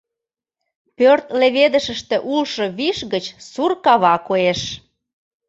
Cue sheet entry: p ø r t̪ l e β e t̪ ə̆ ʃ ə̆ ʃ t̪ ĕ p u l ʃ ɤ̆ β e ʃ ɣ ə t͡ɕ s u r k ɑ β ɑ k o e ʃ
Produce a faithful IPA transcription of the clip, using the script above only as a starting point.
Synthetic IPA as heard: p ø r t̪ l e β e d̪ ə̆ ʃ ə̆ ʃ t̪ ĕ ʔ u l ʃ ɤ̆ β i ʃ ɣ ə t͡ɕ s u r k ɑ β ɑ k o e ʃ